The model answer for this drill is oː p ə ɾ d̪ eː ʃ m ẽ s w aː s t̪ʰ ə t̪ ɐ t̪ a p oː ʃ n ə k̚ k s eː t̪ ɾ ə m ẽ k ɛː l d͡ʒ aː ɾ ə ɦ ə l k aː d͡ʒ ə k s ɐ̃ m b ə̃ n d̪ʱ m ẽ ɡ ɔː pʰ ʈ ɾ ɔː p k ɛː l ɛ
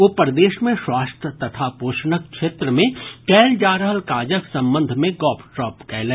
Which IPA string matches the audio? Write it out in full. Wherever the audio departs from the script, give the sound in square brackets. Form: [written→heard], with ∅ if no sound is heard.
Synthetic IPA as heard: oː p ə ɾ d̪ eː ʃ m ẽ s w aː s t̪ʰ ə t̪ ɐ [t̪→t̪ʰ] a p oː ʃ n ə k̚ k [s→ʃ] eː t̪ ɾ ə m ẽ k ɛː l d͡ʒ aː ɾ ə ɦ ə l k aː d͡ʒ ə k s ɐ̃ m b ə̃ n d̪ʱ m ẽ ɡ ɔː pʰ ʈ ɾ ɔː p k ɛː l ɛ